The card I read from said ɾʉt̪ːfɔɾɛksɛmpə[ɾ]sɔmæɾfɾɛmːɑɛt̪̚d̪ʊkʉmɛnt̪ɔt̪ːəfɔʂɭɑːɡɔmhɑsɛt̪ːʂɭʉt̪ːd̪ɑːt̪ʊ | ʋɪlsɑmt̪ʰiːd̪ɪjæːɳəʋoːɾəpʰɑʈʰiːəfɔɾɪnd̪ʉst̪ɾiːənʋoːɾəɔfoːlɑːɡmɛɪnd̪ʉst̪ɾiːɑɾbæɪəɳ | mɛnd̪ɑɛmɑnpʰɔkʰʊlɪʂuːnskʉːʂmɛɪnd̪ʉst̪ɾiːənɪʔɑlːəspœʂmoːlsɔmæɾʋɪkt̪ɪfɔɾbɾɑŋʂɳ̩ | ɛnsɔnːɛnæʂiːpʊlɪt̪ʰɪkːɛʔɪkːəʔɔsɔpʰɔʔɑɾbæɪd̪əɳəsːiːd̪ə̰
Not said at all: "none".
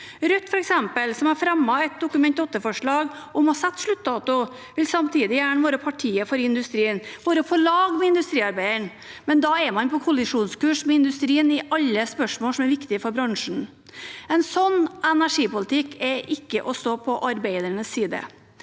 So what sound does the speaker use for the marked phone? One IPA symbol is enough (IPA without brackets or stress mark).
l